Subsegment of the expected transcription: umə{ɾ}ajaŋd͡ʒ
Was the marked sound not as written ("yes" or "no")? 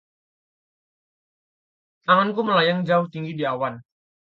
yes